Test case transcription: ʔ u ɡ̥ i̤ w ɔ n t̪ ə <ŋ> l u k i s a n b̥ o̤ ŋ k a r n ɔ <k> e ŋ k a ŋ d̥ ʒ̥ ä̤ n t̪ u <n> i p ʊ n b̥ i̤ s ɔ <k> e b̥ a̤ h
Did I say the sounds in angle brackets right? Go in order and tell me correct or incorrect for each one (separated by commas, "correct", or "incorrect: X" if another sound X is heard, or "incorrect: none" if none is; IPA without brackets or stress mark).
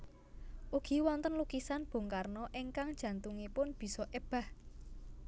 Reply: incorrect: n, incorrect: ʔ, incorrect: ŋ, incorrect: ʔ